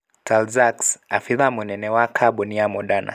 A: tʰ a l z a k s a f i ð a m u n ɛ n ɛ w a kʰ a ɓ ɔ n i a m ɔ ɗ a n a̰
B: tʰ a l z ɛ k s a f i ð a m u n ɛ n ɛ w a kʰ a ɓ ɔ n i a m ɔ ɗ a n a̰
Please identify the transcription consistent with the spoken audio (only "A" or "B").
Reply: A